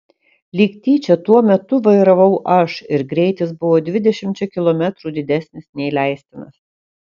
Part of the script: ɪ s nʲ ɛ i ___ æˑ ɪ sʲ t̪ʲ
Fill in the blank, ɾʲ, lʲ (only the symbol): lʲ